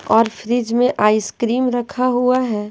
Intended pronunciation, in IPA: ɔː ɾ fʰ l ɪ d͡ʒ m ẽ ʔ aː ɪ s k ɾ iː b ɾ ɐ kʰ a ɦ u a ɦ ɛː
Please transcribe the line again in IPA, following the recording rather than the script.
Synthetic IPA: ɔː ɾ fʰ ɾ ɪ d͡ʒ m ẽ ʔ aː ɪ s k ɾ iː m ɾ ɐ kʰ a ɦ u a ɦ ɛː